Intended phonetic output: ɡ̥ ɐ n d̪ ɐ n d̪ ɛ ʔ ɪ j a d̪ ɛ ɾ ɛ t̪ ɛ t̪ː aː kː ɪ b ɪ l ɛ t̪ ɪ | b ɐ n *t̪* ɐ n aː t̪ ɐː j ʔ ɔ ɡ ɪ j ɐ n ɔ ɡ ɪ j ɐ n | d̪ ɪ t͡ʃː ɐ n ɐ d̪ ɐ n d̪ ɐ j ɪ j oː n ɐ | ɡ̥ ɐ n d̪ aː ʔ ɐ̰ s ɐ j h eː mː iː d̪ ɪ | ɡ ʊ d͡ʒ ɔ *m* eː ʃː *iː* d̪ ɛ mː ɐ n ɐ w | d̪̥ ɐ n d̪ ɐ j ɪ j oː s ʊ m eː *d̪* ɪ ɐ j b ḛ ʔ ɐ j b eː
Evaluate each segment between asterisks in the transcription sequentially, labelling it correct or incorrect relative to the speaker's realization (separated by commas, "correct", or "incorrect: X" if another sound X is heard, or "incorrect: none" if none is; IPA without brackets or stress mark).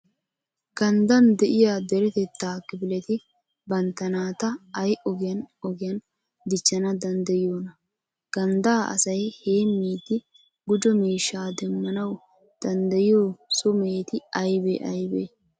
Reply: correct, correct, incorrect: aː, incorrect: t̪